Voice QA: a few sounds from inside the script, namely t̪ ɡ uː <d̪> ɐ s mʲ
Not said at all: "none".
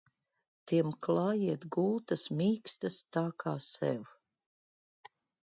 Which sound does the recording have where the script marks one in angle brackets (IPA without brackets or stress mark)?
t̪